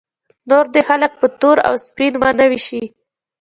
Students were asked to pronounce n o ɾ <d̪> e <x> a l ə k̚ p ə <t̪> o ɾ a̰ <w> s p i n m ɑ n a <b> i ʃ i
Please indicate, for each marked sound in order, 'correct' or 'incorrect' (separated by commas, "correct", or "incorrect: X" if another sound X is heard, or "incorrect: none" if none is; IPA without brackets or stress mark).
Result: correct, correct, correct, correct, incorrect: w